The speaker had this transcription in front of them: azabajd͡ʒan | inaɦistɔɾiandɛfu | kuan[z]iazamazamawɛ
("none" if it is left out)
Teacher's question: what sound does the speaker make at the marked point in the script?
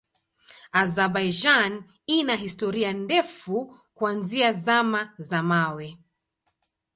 z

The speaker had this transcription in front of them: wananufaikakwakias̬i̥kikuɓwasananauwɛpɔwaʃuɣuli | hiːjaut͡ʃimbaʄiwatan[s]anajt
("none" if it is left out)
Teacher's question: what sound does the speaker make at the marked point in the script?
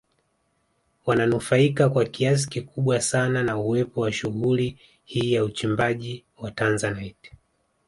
z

